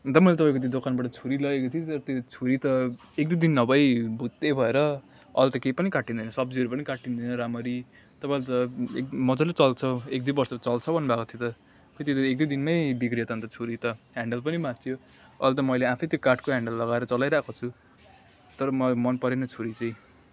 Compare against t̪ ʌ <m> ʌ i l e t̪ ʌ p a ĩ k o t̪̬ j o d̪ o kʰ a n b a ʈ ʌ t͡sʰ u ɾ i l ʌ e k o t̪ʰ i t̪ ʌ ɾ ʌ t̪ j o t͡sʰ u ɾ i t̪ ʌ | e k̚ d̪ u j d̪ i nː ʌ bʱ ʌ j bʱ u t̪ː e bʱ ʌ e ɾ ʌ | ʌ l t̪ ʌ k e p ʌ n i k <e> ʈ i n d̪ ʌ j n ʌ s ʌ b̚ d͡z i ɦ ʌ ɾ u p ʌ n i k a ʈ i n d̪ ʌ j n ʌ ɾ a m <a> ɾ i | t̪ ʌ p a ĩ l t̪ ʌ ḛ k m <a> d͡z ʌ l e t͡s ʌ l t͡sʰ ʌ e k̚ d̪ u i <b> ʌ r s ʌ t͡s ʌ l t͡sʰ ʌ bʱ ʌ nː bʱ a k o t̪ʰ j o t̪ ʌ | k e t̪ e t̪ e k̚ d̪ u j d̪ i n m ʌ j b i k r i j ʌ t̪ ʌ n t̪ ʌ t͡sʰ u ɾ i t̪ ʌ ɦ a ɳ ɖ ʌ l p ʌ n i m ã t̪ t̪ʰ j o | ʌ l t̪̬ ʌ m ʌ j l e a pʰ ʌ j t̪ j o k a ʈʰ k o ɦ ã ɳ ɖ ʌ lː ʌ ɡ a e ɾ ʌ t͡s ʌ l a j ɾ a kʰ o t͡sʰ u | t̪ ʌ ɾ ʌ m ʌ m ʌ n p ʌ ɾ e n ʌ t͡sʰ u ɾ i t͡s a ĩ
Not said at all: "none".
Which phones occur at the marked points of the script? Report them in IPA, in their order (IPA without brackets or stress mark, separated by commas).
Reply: m, a, ʌ, ʌ, b